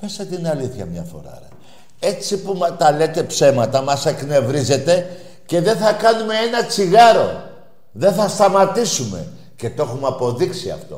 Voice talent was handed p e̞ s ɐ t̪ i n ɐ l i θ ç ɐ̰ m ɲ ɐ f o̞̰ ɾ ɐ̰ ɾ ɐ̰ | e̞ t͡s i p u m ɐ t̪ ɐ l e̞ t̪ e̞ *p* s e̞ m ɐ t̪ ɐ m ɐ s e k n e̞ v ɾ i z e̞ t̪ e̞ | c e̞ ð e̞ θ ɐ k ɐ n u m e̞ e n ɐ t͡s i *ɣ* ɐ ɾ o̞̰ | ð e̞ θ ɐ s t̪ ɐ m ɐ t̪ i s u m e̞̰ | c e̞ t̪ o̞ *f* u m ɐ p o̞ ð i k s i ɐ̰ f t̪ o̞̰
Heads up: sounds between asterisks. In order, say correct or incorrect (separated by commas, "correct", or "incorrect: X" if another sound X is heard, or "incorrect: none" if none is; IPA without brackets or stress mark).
correct, correct, incorrect: x